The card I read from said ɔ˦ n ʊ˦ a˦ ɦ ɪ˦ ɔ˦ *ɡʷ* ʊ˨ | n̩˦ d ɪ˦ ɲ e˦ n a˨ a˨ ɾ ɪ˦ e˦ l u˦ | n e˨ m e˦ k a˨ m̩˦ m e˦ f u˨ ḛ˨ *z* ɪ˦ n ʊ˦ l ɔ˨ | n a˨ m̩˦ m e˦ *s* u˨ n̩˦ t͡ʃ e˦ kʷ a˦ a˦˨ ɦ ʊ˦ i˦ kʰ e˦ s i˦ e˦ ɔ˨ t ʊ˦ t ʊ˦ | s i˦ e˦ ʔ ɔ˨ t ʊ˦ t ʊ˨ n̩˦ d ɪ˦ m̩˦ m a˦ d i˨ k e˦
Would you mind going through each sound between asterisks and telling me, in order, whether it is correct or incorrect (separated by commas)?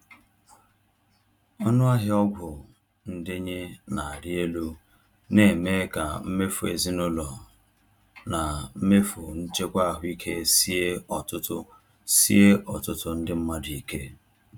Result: correct, correct, incorrect